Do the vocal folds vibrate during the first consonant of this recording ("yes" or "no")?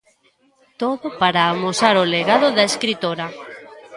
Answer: no